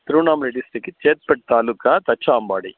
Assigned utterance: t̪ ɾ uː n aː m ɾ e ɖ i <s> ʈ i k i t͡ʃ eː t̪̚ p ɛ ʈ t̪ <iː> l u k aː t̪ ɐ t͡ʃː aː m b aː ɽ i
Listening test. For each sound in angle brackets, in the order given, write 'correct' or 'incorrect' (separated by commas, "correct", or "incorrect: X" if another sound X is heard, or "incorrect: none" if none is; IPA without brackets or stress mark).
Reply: correct, incorrect: aː